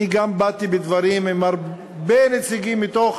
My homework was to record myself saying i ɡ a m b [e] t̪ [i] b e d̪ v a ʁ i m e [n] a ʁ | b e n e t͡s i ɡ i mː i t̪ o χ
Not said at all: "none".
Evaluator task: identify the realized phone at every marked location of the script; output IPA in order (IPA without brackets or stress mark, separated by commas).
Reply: a, i, m